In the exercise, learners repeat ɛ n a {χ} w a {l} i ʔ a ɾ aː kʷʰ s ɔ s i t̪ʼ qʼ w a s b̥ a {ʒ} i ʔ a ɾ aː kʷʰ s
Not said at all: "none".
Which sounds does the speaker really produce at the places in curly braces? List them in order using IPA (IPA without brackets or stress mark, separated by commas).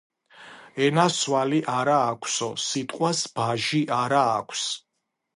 s, l, ʒ